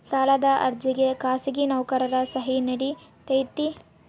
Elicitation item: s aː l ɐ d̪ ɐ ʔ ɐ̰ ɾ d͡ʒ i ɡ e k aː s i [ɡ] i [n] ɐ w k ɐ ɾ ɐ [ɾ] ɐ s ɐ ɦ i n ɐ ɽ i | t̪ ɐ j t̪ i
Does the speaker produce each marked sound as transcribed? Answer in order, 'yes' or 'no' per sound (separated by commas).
yes, yes, yes